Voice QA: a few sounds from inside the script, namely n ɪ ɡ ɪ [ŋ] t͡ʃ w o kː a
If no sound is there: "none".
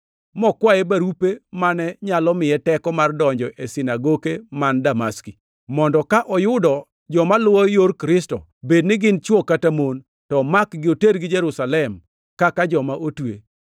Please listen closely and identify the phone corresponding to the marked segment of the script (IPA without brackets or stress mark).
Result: n